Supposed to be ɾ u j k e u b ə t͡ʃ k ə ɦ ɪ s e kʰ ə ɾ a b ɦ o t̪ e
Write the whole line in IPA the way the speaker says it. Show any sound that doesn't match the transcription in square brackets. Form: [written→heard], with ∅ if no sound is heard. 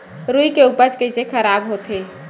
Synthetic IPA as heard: ɾ u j k e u [b→p] ə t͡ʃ k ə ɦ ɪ s e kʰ ə ɾ a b ɦ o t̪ e